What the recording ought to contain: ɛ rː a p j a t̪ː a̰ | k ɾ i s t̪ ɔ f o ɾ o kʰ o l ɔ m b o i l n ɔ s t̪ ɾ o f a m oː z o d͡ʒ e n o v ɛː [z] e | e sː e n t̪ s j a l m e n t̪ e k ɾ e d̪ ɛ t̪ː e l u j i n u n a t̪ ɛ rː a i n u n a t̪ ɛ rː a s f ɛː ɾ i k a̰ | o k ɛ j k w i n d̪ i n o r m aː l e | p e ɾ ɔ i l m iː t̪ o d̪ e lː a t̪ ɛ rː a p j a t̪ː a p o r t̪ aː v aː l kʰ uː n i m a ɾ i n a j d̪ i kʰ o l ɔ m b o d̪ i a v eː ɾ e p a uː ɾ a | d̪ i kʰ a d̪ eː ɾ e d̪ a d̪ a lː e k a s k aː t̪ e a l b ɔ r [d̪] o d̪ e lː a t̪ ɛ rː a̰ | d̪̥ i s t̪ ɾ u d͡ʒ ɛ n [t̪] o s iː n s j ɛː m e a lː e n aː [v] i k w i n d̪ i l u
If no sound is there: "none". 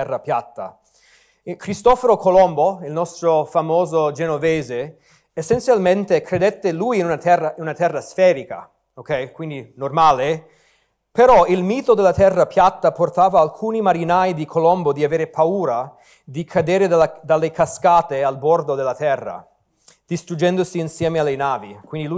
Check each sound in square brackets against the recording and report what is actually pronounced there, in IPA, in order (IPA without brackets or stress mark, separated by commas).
z, d̪, d̪, v